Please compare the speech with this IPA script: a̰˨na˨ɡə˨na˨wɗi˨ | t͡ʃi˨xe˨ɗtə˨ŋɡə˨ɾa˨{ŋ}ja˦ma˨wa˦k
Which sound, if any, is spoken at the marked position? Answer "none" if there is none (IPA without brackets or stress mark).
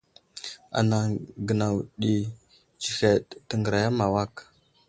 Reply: none